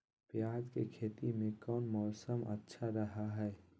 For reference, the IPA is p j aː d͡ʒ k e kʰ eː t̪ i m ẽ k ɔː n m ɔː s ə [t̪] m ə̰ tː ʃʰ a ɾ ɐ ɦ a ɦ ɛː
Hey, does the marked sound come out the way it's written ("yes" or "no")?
no